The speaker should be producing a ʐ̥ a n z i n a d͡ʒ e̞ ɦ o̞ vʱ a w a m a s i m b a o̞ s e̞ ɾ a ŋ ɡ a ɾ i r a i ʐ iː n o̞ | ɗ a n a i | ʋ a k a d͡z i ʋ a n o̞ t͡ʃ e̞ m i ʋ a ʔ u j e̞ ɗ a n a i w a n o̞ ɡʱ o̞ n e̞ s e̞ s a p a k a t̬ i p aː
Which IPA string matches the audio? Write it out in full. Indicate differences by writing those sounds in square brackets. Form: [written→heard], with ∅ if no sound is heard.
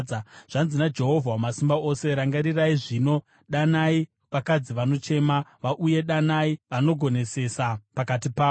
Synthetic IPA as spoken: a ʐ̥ a n z i n a d͡ʒ e̞ ɦ o̞ vʱ a w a m a s i m b a o̞ s e̞ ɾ a ŋ ɡ a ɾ i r a i ʐ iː n o̞ | ɗ a n a i | ʋ a k a d͡z i ʋ a n o̞ t͡ʃ e̞ m [i→a] ʋ a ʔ u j e̞ ɗ a n a i [w→ʋ] a n o̞ ɡʱ o̞ n e̞ s e̞ s a p a k a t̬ i p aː